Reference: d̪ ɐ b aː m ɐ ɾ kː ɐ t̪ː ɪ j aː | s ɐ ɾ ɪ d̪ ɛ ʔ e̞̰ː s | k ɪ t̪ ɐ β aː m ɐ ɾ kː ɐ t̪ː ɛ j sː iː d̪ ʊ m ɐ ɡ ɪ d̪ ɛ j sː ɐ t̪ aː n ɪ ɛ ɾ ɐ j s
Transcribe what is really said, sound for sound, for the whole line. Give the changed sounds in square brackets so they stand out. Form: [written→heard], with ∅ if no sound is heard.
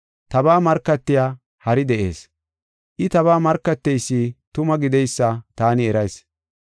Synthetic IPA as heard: [d̪→t̪] ɐ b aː m ɐ ɾ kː ɐ t̪ː ɪ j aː | [s→h] ɐ ɾ ɪ d̪ ɛ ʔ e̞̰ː s | [k→ʔ] ɪ t̪ ɐ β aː m ɐ ɾ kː ɐ t̪ː ɛ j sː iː [d̪→t̪] ʊ m ɐ ɡ ɪ d̪ ɛ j sː ɐ t̪ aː n ɪ ɛ ɾ ɐ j s